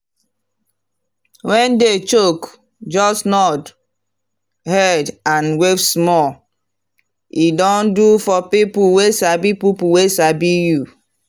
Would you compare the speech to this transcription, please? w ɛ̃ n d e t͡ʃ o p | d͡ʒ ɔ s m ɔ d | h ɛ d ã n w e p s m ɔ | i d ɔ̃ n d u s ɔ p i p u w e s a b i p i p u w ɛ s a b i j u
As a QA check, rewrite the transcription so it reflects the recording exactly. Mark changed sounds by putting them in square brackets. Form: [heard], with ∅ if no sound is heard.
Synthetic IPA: w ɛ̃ n d e t͡ʃ o [k] | d͡ʒ ɔ s [n] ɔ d | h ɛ d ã n w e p s m ɔ | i d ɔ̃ n d u [f] ɔ p i p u w e s a b i p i p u w [e] s a b i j u